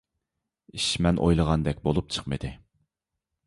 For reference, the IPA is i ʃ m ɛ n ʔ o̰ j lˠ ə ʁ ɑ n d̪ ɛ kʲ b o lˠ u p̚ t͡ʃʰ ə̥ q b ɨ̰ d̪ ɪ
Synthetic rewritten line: i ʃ m ɛ n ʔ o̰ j lˠ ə ʁ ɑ n d̪ ɛ kʲ b o lˠ u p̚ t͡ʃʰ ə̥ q m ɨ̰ d̪ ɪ